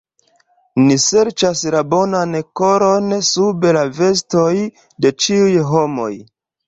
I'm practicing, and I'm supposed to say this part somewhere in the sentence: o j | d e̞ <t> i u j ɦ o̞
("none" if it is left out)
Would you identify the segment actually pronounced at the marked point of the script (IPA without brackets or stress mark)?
t͡ʃ